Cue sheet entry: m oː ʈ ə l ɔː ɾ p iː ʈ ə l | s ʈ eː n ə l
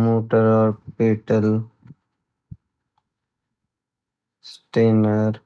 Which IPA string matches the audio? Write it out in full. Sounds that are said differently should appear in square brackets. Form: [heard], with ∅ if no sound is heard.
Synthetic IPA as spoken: m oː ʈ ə [ɾ] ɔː ɾ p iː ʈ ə l | s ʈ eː n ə [ɾ]